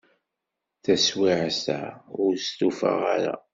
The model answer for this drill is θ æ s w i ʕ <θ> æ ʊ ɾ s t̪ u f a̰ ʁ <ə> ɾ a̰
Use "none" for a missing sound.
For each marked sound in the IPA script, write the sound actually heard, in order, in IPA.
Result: s, a

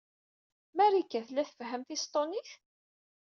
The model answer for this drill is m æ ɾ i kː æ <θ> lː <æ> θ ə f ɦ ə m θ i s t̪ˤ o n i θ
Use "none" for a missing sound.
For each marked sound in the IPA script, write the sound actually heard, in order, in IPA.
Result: θ, æ

